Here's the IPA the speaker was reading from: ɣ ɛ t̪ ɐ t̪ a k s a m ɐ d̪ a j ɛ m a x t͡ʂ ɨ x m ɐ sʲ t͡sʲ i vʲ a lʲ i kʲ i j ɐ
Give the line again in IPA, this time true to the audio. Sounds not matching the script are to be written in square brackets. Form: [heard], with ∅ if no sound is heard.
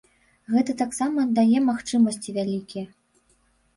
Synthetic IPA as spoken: ɣ ɛ t̪ ɐ t̪ a k s a m ɐ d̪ a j ɛ m a x t͡ʂ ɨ [∅] m ɐ sʲ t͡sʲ i vʲ a lʲ i kʲ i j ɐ